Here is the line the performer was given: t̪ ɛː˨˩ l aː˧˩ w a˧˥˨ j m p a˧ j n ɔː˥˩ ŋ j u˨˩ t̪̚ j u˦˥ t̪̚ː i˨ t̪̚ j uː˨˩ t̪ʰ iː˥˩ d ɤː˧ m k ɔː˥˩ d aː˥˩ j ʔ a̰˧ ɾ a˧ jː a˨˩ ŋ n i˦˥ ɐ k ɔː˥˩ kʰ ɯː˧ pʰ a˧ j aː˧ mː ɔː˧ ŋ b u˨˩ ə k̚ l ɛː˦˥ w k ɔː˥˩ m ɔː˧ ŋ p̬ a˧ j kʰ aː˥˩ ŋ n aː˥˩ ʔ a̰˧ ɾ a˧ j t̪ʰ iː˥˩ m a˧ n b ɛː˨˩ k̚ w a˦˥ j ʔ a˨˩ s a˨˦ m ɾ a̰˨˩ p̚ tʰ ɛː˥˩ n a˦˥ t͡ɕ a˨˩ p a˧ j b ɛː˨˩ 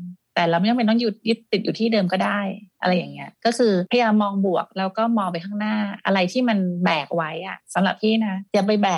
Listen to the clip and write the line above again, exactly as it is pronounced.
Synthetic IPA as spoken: t̪ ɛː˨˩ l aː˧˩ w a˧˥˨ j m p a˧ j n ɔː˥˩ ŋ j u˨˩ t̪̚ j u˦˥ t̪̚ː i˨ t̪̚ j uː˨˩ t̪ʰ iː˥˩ d ɤː˧ m k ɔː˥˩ d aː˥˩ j ʔ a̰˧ ɾ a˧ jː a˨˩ ŋ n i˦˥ ɐ k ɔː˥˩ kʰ ɯː˧ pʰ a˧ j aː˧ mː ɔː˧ ŋ b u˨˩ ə k̚ l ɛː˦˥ w k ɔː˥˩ m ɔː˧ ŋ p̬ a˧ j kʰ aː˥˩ ŋ n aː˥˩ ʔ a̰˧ ɾ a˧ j t̪ʰ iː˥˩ m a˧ n b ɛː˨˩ k̚ w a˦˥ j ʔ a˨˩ s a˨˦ m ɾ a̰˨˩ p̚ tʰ iː˥˩ n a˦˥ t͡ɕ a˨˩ p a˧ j b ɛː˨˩